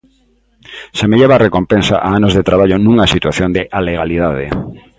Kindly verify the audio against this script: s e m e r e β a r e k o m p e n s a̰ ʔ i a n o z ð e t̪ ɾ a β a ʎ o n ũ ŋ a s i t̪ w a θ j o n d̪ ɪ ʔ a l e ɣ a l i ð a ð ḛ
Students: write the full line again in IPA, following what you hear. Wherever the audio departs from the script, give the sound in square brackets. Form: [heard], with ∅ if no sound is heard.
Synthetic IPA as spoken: s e m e [ʎ] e β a r e k o m p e n s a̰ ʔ [a] a n o z ð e t̪ ɾ a β a ʎ o n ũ ŋ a s i t̪ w a θ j o n d̪ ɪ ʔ a l e ɣ a l i ð a ð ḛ